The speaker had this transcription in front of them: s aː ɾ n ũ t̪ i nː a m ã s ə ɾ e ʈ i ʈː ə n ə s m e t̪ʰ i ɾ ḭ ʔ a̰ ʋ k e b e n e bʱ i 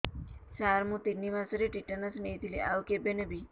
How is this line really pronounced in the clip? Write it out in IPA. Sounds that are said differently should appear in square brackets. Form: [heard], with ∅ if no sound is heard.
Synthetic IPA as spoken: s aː ɾ [m] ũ t̪ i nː [i] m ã s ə ɾ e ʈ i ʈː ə n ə s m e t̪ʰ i [l] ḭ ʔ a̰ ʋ k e b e n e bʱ i